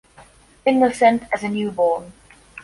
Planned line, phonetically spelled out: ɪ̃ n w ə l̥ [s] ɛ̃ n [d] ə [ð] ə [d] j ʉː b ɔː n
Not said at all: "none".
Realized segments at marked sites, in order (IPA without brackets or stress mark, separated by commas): s, t, z, n